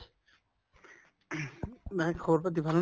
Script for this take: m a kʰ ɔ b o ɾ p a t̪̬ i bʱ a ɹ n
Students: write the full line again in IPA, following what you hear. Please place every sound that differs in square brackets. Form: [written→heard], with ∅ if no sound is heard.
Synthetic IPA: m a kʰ ɔ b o ɾ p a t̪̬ i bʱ a [ɹ→l] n